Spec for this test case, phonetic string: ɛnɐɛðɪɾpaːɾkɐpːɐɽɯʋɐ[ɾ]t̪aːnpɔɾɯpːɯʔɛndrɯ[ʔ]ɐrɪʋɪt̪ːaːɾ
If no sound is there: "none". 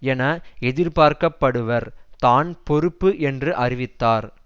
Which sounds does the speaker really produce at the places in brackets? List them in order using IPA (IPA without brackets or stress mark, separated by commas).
ɾ, ʔ